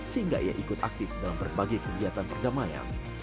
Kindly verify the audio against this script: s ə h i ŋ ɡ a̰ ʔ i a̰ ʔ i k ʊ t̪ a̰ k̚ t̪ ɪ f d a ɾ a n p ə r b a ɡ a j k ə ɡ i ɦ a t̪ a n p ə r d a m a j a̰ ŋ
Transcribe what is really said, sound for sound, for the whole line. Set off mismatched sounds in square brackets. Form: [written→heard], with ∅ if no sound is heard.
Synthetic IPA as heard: s ə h i ŋ ɡ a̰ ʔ i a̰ ʔ i k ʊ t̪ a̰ k̚ t̪ ɪ f d a [ɾ→l] a [n→m] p ə r b a ɡ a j k ə ɡ i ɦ a t̪ a n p ə r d a m a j a̰ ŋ